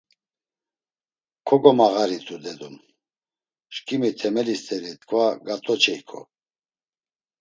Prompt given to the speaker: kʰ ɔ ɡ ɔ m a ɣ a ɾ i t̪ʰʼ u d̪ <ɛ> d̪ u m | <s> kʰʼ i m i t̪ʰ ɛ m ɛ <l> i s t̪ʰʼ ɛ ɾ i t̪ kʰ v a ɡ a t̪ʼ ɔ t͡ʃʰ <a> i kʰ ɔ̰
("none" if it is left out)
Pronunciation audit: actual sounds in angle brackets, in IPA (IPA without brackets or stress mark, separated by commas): ɛ, ʃ, l, ɛ